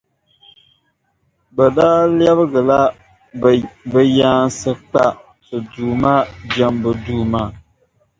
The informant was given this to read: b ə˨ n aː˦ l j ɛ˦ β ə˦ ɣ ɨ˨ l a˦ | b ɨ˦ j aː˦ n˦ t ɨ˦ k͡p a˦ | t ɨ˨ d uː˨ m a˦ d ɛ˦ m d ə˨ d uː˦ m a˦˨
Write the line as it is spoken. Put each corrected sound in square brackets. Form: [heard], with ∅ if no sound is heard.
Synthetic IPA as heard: b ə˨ [d] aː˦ l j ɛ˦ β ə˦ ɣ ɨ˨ l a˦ | b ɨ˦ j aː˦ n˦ [s] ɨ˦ k͡p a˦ | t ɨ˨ d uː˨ m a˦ [d͡ʒ] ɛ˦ m [b] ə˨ d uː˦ m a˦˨